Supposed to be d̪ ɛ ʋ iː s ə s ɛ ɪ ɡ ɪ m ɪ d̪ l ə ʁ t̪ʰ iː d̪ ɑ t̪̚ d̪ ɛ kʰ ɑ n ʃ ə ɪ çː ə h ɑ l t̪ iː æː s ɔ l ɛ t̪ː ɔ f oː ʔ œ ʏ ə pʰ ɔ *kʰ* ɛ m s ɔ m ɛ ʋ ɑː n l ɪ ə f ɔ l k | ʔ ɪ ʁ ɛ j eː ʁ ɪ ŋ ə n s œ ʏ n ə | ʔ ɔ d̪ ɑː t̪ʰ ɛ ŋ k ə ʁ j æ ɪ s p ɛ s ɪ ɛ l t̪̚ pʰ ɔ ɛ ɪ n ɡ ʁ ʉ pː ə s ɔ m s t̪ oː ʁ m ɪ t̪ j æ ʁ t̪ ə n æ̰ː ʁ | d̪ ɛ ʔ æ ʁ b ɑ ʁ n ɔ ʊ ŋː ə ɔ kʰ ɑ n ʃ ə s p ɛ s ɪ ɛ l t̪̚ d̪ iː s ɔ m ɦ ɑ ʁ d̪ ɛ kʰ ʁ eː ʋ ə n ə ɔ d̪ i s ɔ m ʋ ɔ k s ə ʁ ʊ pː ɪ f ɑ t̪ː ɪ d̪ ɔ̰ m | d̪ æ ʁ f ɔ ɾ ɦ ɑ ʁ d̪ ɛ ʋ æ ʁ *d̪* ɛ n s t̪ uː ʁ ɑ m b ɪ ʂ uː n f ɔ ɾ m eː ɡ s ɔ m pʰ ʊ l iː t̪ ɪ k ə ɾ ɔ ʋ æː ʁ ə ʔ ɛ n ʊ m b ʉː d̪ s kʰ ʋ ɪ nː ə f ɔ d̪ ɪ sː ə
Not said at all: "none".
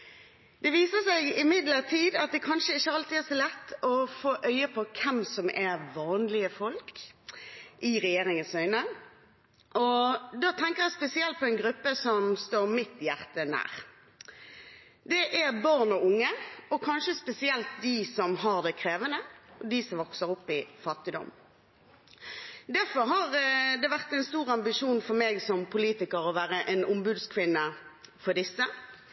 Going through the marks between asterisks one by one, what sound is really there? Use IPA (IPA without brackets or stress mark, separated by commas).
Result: kʰ, t̪